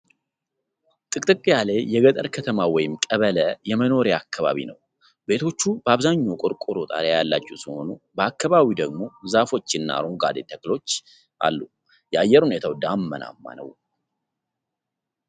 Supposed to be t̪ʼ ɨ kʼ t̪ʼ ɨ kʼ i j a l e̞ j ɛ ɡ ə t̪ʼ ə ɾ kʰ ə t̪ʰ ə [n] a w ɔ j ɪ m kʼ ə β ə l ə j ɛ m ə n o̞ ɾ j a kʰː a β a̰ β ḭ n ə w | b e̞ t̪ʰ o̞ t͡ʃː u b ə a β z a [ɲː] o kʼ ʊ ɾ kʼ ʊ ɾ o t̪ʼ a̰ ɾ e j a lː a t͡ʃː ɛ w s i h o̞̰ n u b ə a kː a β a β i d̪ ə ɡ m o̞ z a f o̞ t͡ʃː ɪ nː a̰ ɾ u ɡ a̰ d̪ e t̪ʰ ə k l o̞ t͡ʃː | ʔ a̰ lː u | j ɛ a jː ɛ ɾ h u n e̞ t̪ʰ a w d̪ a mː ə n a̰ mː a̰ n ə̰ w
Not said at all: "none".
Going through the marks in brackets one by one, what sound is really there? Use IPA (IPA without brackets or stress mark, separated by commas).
m, ɲː